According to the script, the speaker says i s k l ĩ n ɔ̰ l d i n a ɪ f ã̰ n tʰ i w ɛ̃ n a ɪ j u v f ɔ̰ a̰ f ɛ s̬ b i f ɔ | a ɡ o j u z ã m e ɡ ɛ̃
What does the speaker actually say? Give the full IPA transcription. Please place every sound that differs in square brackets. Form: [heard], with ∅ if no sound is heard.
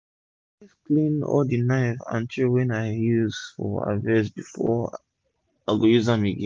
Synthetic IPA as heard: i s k l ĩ n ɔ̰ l d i n a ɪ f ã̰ n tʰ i w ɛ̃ n a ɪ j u [z] f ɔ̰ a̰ [v] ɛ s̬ b i f ɔ | a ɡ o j u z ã m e ɡ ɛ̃

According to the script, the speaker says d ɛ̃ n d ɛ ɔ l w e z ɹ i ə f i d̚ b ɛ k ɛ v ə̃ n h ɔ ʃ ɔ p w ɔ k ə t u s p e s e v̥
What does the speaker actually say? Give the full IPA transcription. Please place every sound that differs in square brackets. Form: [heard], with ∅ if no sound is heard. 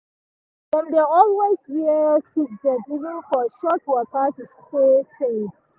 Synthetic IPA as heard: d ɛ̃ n d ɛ ɔ l w e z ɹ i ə f i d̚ b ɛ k [i] v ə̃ n [f] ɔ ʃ ɔ [t] w ɔ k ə t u s [t] e s e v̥

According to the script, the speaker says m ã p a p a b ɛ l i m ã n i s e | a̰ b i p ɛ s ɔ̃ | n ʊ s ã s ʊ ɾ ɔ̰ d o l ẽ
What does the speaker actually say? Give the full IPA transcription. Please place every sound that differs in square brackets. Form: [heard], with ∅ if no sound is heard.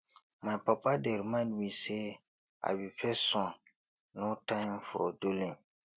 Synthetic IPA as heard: m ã p a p a [d] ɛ [ɾ] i m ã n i s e | a̰ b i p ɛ s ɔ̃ | n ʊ [t] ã [f] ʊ ɾ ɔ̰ d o l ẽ

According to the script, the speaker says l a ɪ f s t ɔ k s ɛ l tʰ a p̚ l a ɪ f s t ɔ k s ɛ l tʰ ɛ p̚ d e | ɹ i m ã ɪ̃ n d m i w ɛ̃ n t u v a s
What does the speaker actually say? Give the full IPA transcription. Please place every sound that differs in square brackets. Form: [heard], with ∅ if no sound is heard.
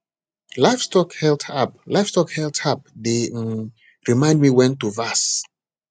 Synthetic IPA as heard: l a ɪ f s t ɔ k [h] ɛ l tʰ a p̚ l a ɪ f s t ɔ k [h] ɛ l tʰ [a] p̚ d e | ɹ i m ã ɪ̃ n d m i w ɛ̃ n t u v a s

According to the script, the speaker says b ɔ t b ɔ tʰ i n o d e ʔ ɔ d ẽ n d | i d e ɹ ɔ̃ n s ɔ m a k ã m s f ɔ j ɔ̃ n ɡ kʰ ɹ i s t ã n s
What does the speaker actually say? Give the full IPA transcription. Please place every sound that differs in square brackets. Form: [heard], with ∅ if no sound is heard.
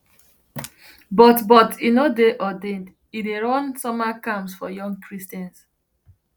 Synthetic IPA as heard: b ɔ t b ɔ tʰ i n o d e ʔ ɔ d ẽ n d | i d e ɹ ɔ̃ n s ɔ m a k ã m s f ɔ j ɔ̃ [ŋ] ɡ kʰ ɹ i s t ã n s

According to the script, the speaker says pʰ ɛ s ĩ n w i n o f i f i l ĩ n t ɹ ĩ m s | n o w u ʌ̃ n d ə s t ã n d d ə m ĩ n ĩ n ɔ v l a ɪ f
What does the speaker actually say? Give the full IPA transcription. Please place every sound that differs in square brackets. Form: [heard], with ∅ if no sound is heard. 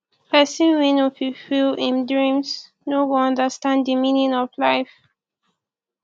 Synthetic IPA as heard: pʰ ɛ s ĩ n w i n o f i f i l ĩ n [d] ɹ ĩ m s | n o w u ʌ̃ n d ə s t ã n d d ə m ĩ n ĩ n ɔ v l a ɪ f

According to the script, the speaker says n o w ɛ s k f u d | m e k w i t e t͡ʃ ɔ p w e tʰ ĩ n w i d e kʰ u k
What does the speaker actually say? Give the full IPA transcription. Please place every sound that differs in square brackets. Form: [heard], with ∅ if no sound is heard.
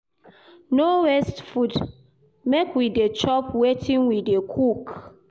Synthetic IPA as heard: n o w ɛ s [t] f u d | m e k w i [d] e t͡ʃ ɔ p w e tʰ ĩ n w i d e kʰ u k

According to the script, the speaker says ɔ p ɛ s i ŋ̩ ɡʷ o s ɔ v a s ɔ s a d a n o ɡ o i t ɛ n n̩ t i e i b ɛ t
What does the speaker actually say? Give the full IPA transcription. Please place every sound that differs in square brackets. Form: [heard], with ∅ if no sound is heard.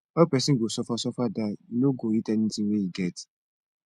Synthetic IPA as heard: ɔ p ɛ s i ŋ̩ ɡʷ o s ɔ [f] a s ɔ [f] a d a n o ɡ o i t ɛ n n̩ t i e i [ɡ] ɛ t

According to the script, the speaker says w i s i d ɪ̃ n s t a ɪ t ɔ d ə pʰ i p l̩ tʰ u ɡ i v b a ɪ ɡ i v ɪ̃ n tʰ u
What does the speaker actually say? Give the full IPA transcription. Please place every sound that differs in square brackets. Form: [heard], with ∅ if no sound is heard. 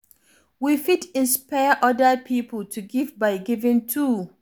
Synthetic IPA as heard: w i [f] i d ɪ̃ n s [p] a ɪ [ʔ] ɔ d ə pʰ i p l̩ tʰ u ɡ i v b a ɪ ɡ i v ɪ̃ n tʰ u

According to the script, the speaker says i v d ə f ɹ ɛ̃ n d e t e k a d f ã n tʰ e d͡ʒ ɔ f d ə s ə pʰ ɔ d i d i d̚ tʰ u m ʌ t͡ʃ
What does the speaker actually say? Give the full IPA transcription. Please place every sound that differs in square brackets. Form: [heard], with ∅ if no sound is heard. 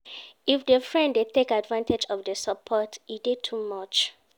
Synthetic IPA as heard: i [f] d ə f ɹ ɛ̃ n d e t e k a d [v] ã n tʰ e d͡ʒ ɔ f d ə s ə pʰ ɔ [t] i d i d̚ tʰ u m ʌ t͡ʃ

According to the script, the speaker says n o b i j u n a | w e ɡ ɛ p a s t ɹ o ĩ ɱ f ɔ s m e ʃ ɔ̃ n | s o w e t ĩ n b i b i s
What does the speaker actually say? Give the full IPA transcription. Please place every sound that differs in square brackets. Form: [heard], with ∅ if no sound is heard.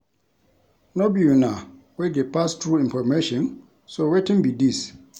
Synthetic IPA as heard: n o b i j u n a | w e ɡ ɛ p a s t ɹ [u] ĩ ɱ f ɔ [∅] m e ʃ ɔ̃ n | s o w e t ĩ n b i [d] i s

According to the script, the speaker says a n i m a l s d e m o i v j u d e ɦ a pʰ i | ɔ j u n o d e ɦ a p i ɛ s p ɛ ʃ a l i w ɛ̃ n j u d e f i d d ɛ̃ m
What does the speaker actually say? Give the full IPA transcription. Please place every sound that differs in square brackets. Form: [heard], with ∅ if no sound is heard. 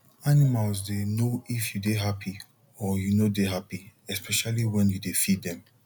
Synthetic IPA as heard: a n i m a l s d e [n] o i [f] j u d e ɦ a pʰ i | ɔ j u n o d e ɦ a p i ɛ s p ɛ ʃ a l i w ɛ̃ n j u d e f i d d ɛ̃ m

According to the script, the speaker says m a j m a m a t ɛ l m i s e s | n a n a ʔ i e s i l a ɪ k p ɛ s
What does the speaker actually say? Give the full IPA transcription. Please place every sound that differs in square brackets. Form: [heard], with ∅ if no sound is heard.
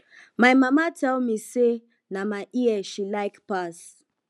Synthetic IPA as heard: m a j m a m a t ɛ l m i s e [∅] | n a [m] a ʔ i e [ʃ] i l a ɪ k p [a] s

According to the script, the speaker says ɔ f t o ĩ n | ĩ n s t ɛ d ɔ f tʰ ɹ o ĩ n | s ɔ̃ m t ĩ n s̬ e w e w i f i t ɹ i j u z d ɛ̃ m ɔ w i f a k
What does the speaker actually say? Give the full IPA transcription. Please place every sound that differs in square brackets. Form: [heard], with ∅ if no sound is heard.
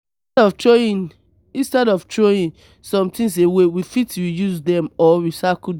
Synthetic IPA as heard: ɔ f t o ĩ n | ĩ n s t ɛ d ɔ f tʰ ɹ o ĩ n | s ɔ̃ m t ĩ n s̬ e w e w i f i t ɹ i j u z d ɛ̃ m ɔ w i [s] a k

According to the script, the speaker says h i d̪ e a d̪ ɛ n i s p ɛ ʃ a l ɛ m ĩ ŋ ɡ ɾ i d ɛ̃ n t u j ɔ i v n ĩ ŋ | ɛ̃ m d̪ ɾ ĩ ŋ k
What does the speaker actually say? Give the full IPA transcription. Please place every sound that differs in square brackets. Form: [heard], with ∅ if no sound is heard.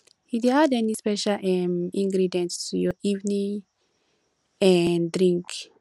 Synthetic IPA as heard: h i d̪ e a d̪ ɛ n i s p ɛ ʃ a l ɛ m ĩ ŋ ɡ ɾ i d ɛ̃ n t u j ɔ i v n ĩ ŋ | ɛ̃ [n] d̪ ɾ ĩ ŋ k

